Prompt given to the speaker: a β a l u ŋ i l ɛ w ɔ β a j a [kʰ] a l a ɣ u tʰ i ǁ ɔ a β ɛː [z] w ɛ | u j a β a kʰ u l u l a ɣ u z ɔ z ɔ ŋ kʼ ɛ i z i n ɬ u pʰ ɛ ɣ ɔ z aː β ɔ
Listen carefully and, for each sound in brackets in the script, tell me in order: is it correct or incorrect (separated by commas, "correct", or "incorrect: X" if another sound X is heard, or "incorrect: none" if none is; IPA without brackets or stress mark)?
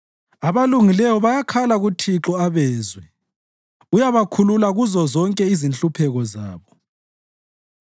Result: correct, correct